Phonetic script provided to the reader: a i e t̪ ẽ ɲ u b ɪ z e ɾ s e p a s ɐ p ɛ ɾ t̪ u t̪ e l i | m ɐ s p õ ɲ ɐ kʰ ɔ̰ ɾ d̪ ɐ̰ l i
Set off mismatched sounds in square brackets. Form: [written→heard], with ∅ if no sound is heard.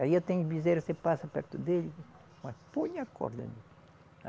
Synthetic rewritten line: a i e t̪ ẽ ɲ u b [ɪ→i] z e ɾ s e p a s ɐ p ɛ ɾ t̪ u [t̪→d̪] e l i | m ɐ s p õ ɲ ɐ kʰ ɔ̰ ɾ d̪ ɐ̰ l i